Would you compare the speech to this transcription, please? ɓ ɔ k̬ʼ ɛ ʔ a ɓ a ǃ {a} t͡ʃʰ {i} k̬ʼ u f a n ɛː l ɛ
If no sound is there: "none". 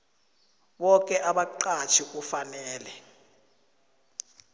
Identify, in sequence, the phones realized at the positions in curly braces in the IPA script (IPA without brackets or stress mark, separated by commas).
a, i